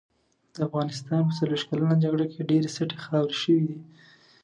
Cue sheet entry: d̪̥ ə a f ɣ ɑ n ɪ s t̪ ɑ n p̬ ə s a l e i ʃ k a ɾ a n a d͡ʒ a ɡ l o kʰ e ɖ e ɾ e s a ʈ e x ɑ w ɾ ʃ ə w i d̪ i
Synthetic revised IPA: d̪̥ ə a f ɣ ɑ n ɪ s t̪ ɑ n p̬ ə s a l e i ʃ k a l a n a d͡ʒ a ɡ ɽ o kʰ e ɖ e ɾ e s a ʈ e x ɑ w ɾ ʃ ə w i d̪ i